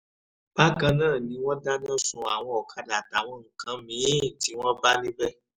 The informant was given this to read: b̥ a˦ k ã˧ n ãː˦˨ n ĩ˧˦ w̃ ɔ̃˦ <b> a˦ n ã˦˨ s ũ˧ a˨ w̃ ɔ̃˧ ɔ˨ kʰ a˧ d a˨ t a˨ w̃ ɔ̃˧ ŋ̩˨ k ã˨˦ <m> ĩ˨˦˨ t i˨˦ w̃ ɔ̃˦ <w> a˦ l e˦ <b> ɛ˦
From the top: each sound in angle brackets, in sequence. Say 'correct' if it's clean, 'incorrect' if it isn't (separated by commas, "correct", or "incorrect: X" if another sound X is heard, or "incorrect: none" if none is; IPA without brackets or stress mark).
incorrect: d, correct, incorrect: b, correct